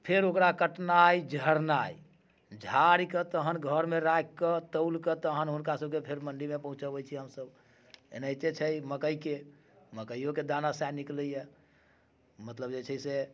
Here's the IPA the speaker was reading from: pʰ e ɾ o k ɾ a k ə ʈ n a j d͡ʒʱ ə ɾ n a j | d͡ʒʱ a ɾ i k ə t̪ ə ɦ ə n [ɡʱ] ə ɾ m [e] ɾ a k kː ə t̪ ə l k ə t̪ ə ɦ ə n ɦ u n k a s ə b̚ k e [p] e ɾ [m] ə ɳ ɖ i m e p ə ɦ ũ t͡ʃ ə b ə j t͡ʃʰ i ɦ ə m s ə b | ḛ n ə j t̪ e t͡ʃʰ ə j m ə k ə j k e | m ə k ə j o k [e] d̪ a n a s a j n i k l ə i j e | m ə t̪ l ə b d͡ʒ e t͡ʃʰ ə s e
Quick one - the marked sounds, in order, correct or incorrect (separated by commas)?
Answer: correct, correct, incorrect, correct, correct